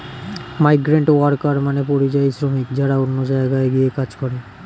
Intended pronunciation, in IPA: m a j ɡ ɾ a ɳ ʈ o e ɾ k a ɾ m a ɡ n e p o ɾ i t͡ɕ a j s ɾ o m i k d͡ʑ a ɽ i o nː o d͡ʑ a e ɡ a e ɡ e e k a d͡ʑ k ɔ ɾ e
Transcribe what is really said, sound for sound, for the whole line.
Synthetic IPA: m a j ɡ ɾ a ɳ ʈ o a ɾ k a ɾ m a n e p o ɾ i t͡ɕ a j s ɾ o m i k d͡ʑ a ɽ a o nː o d͡ʑ a e ɡ a e ɡ i e k a d͡ʑ k ɔ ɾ e

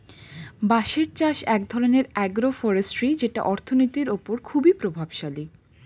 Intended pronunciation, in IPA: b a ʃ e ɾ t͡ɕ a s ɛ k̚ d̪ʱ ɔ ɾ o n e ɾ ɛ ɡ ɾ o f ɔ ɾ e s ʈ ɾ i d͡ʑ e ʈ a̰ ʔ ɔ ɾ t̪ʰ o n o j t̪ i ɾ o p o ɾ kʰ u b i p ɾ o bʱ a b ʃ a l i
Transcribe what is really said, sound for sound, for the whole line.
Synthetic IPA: b a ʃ e ɾ t͡ɕ a ʃ ɛ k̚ d̪ʱ ɔ ɾ o n e ɾ ɛ ɡ ɾ o f ɔ ɾ e s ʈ ɾ i d͡ʑ e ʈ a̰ ʔ ɔ ɾ t̪ʰ o n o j t̪ i ɾ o p o ɾ kʰ u b i p ɾ o bʱ a b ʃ a l i

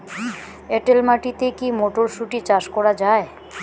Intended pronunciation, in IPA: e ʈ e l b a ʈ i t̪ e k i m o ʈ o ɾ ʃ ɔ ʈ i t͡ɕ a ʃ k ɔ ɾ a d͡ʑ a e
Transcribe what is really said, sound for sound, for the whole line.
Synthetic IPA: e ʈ e l m a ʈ i t̪ e k i m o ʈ o ɾ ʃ u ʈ i t͡ɕ a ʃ k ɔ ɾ a d͡ʑ a e

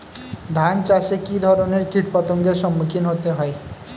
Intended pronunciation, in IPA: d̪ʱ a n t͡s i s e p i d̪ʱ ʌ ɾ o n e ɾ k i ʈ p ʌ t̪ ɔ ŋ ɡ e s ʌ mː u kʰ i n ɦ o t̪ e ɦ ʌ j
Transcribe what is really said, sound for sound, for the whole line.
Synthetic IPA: d̪ʱ a n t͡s a s e k i d̪ʱ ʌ ɾ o n e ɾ k i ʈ p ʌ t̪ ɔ ŋ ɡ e s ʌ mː u kʰ i n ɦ o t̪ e ɦ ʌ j

